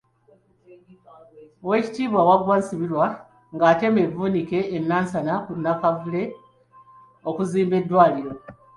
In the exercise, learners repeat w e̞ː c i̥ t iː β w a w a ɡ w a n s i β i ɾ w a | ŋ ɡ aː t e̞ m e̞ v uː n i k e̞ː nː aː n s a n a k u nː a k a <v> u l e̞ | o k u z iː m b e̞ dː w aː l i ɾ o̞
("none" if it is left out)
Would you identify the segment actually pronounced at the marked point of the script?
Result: v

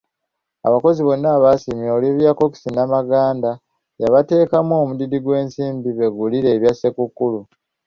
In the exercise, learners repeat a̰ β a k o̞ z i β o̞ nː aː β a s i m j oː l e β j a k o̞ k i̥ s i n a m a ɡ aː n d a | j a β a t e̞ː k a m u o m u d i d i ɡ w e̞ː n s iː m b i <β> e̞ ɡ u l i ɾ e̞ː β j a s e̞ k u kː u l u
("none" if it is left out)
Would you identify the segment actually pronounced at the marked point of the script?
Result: β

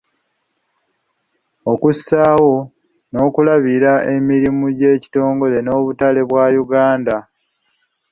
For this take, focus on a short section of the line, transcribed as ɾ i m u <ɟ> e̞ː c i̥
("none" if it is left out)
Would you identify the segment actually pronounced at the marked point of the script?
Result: ɟ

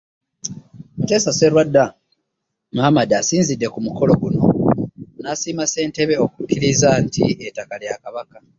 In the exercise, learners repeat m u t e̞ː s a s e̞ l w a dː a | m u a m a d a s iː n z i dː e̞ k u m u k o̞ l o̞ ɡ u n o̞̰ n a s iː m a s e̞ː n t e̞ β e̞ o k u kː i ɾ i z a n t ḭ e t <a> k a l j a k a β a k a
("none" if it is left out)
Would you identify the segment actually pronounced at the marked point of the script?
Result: a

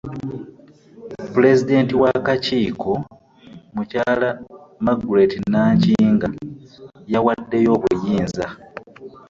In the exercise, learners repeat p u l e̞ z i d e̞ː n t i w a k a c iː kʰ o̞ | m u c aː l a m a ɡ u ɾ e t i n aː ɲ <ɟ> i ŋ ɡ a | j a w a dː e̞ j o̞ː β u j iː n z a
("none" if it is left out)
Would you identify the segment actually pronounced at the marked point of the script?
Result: c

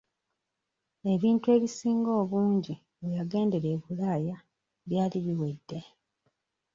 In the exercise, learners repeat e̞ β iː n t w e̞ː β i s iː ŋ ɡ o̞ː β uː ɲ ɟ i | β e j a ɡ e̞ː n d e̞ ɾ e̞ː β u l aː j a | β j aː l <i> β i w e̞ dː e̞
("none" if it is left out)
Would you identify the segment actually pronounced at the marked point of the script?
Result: i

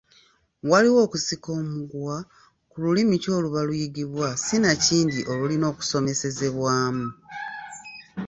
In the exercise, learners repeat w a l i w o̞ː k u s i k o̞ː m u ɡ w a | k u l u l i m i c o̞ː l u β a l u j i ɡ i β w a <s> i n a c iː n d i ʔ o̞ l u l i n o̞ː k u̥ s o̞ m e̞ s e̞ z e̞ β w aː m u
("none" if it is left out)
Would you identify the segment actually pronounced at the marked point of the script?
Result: s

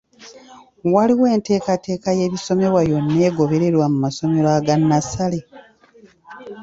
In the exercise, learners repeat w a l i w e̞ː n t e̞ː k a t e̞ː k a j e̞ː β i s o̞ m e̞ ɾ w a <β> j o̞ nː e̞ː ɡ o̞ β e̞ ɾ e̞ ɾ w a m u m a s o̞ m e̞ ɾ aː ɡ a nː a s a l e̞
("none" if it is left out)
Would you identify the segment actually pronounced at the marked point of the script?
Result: none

